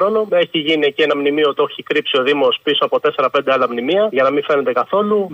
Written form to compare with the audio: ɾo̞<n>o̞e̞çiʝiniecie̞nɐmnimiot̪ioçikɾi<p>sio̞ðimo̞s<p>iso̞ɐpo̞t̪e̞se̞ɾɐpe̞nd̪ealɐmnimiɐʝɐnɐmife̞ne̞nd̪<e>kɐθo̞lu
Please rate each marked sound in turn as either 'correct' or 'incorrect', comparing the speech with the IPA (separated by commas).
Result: correct, correct, correct, correct